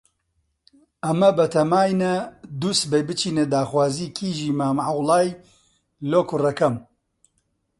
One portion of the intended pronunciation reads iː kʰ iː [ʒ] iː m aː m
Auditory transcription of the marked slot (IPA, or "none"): ʒ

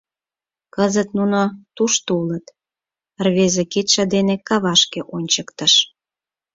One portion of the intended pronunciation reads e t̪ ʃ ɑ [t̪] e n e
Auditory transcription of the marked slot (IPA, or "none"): d̪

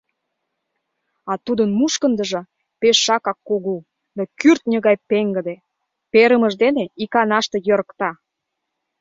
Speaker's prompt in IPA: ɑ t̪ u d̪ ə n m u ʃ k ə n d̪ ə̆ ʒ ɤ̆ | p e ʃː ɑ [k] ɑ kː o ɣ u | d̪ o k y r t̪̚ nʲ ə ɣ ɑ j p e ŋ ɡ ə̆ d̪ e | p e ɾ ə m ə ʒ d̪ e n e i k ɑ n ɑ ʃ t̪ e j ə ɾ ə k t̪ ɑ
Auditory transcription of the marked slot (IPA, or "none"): k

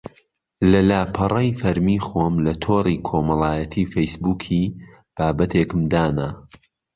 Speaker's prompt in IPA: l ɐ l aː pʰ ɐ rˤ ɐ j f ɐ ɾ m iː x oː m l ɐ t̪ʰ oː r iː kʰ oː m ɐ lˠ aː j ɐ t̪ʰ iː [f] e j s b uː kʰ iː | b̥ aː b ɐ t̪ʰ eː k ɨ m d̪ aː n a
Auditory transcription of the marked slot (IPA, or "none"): f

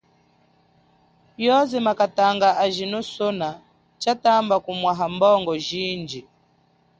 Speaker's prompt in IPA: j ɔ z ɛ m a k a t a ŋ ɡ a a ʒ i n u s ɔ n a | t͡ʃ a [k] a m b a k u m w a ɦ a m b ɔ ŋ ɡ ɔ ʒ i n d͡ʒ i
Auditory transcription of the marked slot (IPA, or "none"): t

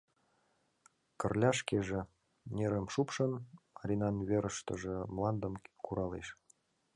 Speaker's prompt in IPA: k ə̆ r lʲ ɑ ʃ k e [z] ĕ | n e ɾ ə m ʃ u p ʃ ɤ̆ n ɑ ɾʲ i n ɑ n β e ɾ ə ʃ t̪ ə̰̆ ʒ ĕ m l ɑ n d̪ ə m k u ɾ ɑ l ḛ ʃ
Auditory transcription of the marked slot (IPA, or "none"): ʒ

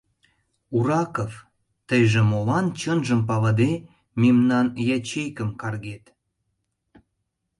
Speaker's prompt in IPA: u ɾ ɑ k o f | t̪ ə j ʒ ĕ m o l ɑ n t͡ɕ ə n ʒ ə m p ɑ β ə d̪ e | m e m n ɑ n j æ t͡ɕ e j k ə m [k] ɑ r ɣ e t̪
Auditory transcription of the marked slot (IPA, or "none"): k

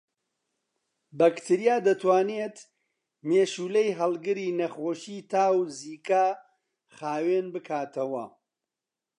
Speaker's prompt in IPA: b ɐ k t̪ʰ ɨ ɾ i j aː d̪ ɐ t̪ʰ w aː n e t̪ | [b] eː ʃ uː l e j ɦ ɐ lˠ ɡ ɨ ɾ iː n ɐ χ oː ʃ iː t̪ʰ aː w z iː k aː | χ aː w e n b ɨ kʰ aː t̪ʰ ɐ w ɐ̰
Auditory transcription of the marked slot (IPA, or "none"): m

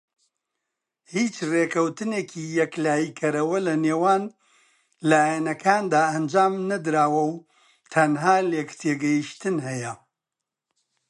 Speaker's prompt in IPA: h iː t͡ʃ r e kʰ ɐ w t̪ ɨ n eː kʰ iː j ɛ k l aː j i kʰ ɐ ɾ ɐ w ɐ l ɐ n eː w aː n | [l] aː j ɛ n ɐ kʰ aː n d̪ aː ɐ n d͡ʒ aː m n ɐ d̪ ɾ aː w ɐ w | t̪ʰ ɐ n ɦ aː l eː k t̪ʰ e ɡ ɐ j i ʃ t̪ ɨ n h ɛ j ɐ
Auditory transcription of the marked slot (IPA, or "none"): l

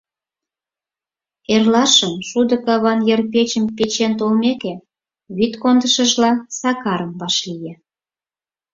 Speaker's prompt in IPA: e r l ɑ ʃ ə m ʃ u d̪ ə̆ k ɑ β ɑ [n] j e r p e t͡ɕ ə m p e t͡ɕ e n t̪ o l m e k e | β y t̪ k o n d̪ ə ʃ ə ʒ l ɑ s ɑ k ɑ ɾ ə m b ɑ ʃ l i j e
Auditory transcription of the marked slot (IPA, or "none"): n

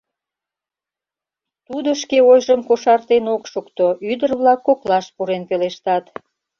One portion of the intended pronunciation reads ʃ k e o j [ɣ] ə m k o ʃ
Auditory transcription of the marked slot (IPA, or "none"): ʒ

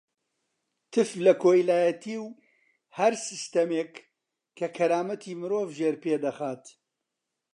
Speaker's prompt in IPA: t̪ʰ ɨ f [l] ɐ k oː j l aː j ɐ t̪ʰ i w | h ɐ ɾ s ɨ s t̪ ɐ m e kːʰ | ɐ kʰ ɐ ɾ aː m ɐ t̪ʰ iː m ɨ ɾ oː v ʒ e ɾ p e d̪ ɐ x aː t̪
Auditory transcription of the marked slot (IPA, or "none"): l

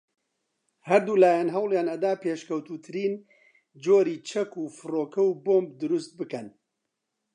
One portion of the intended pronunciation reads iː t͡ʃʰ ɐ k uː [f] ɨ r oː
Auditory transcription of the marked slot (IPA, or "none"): f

